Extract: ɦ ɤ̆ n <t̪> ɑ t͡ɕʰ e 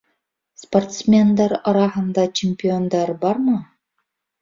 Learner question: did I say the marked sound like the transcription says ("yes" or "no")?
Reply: no